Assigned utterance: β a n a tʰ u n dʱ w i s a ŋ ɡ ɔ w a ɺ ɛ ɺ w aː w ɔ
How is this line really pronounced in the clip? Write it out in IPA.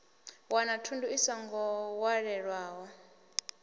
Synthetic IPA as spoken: w a n a tʰ u n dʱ u i s a ŋ ɡ ɔ w a ɺ ɛ ɺ w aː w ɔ